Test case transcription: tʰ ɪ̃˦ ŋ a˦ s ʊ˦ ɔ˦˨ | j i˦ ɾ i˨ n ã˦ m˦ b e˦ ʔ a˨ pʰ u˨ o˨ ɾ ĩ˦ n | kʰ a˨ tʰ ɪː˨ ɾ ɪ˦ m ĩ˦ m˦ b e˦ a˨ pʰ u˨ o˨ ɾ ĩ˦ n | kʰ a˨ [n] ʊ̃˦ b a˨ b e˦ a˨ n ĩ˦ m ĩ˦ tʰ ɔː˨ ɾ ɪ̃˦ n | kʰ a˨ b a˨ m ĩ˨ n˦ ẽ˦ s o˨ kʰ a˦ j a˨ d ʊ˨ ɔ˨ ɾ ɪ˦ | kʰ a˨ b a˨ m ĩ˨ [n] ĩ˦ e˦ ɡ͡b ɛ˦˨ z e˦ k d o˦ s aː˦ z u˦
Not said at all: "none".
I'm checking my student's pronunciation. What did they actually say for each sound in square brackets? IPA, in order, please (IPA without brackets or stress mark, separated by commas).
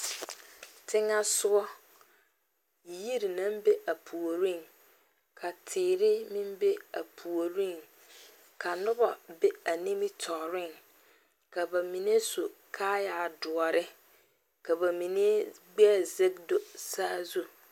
n, n